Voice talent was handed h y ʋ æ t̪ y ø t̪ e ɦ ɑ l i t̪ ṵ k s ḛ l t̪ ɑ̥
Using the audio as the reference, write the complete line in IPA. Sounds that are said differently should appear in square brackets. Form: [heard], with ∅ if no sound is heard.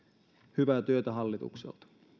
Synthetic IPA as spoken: h y ʋ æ t̪ y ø t̪ [æ] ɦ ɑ [lː] i t̪ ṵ k s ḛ l t̪ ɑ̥

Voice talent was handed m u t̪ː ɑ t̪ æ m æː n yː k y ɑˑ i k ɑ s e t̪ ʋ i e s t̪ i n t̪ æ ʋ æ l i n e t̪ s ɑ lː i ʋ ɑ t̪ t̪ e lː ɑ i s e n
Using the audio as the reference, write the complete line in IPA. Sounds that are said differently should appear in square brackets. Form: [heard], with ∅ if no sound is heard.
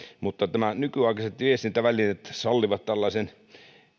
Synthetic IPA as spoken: m u t̪ː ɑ t̪ æ m [æ] n [y] k y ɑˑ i k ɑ s e t̪ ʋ i e s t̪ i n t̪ æ ʋ æ l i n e t̪ s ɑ lː i ʋ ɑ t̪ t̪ [æ] lː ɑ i s e n

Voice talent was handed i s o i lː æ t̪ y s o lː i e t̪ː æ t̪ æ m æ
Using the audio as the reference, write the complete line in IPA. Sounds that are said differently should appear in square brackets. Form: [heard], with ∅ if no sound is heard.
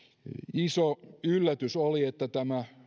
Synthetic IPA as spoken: i s o [y] lː æ t̪ y s o [l] i e t̪ː æ t̪ æ m æ

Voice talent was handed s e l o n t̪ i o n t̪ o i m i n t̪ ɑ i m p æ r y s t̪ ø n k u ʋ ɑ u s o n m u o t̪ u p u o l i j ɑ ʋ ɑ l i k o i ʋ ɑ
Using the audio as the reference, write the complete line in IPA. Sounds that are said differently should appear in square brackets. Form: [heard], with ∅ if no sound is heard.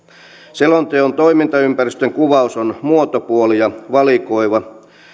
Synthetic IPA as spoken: s e l o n t̪ [e] o n t̪ o i m i n t̪ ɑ [y] m p æ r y s t̪ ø [ŋ] k u ʋ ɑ u s o n m u o t̪ [o] p u o l i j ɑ ʋ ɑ l i k o i ʋ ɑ

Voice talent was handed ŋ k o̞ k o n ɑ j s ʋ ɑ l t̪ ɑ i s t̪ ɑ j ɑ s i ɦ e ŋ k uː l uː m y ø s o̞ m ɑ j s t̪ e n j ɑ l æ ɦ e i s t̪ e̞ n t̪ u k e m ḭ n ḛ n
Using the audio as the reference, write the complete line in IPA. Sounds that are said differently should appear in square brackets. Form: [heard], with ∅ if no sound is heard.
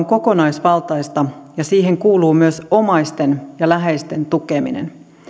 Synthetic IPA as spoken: ŋ k o̞ k o n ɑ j s ʋ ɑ l t̪ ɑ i s t̪ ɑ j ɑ s [iː] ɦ e ŋ k uː l uː m y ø s o̞ m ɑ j s t̪ e n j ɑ l æ ɦ e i s t̪ e̞ n t̪ u k e m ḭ n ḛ n

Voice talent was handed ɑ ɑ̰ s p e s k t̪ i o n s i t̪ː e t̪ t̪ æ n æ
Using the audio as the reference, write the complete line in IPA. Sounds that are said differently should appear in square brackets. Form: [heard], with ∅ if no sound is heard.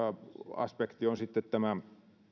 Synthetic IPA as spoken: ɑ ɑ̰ s p e [∅] k t̪ i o n s i t̪ː e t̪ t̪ æ [m] æ

